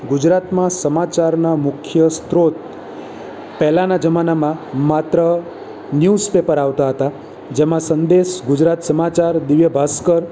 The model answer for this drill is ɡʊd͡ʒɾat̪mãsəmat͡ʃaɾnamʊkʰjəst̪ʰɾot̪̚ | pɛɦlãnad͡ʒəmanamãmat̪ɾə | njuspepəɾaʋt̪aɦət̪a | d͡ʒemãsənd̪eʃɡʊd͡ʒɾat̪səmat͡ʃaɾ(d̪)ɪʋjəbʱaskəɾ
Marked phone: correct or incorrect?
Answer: correct